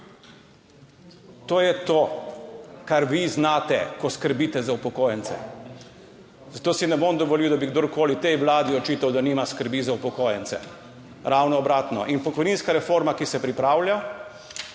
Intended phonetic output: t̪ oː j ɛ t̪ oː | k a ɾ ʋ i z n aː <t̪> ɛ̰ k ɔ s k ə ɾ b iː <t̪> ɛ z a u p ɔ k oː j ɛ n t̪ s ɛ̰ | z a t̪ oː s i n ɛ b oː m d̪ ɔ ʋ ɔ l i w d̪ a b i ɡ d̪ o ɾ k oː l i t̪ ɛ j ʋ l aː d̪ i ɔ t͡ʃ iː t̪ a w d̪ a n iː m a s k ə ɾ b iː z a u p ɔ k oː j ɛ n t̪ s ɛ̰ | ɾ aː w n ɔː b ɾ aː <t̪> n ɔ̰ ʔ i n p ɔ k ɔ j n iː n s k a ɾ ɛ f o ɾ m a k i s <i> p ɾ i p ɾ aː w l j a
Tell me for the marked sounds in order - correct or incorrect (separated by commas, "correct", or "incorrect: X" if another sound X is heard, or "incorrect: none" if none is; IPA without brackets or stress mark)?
correct, correct, correct, incorrect: ɛ